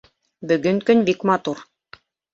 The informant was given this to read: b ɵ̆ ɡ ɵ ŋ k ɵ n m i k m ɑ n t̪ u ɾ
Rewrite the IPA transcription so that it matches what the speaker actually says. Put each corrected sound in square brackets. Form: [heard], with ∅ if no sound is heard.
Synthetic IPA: b ɵ̆ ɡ ɵ ŋ k ɵ n [b] i k m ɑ [∅] t̪ u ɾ

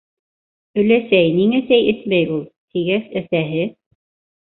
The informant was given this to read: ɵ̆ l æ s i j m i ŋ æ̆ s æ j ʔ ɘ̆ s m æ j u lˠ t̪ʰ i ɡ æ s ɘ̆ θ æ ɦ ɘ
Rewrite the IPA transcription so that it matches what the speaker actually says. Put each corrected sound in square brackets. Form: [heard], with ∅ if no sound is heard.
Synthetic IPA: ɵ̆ l æ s [æ] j [n] i ŋ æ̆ s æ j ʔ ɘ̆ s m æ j u lˠ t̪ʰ i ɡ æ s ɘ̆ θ æ ɦ ɘ

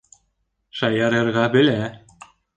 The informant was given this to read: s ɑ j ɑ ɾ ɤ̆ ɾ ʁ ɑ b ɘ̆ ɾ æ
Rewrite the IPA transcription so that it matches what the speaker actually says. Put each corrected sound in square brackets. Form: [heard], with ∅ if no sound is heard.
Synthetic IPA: [ʃ] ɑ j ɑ ɾ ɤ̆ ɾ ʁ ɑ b ɘ̆ [l] æ

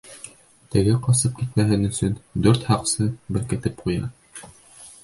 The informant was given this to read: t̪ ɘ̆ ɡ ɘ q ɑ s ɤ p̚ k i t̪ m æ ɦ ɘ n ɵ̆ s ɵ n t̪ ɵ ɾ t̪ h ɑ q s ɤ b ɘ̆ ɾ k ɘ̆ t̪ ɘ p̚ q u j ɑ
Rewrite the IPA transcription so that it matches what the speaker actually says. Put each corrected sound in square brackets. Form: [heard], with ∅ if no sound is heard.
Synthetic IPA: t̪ ɘ̆ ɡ ɘ q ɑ s ɤ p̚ k i t̪ m æ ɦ ɘ n ɵ̆ s ɵ n [d̪] ɵ ɾ t̪ h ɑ q s ɤ b ɘ̆ ɾ k ɘ̆ t̪ ɘ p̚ q u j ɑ

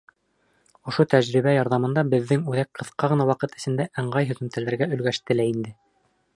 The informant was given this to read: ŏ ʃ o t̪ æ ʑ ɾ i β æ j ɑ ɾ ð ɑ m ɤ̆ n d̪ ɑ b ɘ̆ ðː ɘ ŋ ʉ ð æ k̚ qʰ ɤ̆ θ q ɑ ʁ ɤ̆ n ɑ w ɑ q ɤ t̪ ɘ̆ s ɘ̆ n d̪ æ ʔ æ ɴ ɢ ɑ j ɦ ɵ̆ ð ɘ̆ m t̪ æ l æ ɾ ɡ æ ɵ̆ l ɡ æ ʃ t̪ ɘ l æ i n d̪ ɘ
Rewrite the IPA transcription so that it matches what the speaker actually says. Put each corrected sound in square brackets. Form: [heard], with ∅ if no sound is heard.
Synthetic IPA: ŏ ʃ o t̪ æ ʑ ɾ i β æ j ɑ ɾ ð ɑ m ɤ̆ n d̪ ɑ b ɘ̆ ðː ɘ ŋ ʉ ð æ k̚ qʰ ɤ̆ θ q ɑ ʁ ɤ̆ n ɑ w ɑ q ɤ t̪ ɘ̆ s ɘ̆ n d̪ æ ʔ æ ɴ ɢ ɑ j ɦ ɵ̆ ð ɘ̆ m t̪ æ l æ ɾ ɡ æ ɵ̆ l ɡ æ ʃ t̪ ɘ l æ i n d̪ ɘ

